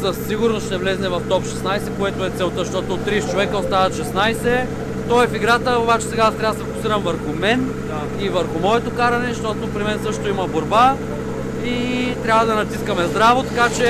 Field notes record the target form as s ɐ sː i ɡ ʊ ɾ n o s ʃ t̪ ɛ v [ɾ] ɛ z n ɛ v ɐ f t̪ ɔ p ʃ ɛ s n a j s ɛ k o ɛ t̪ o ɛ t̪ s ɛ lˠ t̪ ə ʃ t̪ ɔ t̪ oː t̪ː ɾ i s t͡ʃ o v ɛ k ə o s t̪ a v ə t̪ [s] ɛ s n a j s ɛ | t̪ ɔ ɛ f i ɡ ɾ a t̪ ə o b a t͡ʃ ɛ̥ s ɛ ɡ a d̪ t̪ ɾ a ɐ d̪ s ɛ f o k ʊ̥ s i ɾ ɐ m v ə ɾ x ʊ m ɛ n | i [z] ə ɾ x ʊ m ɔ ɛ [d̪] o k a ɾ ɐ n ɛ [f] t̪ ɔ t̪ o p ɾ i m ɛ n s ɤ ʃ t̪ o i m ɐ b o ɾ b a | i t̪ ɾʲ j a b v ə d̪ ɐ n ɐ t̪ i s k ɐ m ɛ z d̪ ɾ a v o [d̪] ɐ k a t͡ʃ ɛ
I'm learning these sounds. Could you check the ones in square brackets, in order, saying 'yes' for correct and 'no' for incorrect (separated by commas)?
no, no, no, no, no, no